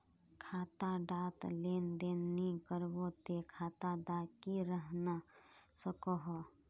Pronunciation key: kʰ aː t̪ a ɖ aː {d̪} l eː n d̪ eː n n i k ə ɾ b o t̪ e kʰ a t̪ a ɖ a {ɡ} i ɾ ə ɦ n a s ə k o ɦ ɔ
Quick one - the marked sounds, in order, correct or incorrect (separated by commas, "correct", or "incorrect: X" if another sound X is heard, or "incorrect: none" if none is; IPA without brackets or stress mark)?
incorrect: t̪, incorrect: k